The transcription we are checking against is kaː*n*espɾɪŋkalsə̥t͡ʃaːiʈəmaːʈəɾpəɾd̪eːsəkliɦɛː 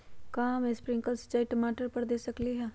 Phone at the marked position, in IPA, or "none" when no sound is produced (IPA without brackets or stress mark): m